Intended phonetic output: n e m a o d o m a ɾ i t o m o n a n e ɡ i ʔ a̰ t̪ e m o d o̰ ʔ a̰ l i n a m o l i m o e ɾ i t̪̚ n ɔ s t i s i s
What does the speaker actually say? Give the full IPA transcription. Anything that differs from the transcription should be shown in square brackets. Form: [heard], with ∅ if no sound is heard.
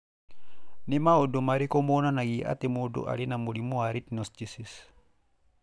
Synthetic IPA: n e m a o d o m a ɾ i [k] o m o n a n [a] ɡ i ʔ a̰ t̪ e m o d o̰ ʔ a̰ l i n a m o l i m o [a] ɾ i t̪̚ n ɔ s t i s i s